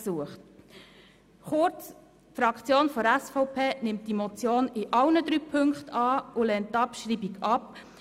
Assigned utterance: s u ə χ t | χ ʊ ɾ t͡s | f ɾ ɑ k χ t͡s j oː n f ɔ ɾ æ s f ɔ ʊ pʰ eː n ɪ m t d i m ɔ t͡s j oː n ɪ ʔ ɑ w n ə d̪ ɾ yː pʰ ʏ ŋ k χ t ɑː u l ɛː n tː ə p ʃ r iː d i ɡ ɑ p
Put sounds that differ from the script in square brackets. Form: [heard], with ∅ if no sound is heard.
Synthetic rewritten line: s u ə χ t | χ ʊ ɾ t͡s | f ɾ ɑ k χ t͡s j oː n f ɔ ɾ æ s f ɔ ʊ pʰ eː n ɪ m t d i m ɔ t͡s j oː n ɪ ʔ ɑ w n ə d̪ ɾ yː pʰ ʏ ŋ k χ t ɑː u l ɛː n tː [ɑ] p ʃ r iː [b] i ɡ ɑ p